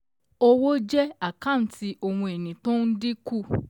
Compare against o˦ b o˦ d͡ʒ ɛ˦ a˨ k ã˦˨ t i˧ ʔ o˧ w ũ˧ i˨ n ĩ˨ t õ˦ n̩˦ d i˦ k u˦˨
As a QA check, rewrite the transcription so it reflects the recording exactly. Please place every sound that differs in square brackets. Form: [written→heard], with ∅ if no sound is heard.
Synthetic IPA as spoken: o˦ [b→w] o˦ d͡ʒ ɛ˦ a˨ k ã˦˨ t i˧ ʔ o˧ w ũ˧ [i˨→e˨] n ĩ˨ t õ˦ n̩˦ d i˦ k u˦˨